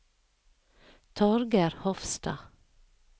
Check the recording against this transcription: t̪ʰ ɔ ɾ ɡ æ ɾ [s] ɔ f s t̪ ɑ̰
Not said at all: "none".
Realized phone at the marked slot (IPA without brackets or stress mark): h